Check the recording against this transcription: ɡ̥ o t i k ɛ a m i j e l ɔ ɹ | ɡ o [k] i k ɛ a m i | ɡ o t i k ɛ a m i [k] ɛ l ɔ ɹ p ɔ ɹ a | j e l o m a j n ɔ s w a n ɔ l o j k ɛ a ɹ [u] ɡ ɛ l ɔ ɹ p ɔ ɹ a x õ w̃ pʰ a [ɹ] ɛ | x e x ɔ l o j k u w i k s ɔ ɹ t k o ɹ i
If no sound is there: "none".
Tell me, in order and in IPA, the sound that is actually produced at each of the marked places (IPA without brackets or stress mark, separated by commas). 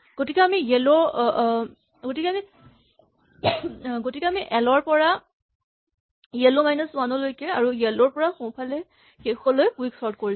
t, ʔ, u, l